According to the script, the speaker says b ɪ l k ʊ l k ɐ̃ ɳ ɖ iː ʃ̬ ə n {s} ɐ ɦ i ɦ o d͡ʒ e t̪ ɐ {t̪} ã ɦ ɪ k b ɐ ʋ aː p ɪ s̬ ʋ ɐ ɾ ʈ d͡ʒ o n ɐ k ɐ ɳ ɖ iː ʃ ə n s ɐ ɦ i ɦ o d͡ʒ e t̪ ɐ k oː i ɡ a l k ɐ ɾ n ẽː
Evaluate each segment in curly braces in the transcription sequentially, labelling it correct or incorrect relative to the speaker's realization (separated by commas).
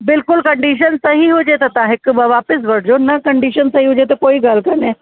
correct, correct